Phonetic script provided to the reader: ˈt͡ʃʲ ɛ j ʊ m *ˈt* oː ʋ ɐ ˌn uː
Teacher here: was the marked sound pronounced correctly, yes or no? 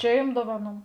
no